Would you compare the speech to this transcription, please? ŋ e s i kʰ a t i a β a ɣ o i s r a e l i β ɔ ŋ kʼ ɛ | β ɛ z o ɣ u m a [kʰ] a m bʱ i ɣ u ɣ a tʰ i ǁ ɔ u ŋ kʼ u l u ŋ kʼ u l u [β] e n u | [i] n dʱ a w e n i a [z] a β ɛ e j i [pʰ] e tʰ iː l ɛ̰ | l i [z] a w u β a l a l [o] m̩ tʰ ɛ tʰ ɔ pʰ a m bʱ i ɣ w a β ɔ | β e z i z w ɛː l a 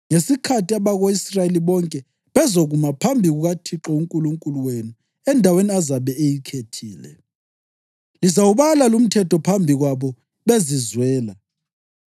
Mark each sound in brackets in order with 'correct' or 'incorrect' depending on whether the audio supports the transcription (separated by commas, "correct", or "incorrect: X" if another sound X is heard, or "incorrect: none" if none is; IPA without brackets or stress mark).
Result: incorrect: pʰ, incorrect: w, incorrect: ɛ, correct, incorrect: kʰ, correct, incorrect: u